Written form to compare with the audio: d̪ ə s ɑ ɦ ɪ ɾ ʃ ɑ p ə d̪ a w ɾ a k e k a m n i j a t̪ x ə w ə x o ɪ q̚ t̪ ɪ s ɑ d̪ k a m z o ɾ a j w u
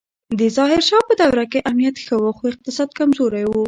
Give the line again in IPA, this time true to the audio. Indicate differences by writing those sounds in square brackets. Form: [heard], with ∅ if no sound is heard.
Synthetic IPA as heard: d̪ ə [z] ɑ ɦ ɪ ɾ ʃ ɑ p ə d̪ a w ɾ a k e [ʔ] a m n i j a t̪ x ə w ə x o ɪ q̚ t̪ ɪ s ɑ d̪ k a m z o ɾ a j w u